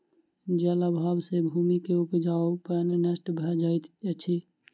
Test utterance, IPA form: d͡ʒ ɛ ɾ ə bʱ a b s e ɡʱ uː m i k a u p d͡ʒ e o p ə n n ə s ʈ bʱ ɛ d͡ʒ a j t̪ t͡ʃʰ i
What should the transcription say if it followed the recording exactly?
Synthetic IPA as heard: d͡ʒ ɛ l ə bʱ a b s e bʱ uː m i k e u p d͡ʒ a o p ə n n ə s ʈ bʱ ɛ d͡ʒ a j t̪ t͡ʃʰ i